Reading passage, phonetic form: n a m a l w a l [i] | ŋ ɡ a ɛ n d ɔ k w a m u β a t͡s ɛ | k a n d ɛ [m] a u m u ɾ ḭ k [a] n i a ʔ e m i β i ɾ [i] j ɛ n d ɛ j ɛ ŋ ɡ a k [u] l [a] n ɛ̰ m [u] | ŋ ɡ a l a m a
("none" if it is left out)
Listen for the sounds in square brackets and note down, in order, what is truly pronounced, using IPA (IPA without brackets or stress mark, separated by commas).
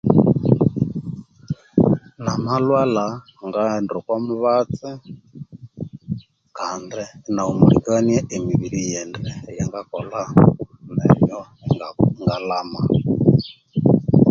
a, n, a, i, ɔ, a, ɔ